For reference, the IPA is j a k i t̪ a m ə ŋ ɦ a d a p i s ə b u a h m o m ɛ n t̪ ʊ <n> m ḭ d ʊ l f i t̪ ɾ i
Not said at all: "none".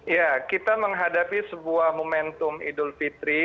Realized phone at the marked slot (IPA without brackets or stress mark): none